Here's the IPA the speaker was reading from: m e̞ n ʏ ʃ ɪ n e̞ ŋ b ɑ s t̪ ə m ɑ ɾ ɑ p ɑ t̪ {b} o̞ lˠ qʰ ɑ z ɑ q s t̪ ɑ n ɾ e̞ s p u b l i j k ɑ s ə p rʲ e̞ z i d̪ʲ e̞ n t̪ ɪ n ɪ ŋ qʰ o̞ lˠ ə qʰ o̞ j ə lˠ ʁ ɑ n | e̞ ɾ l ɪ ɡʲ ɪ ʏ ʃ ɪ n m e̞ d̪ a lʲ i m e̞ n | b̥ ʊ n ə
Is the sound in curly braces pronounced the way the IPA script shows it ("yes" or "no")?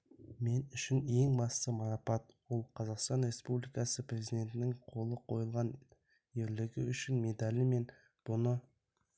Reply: no